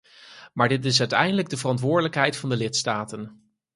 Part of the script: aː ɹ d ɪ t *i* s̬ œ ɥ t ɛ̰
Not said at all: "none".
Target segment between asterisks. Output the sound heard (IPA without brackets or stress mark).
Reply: ɪ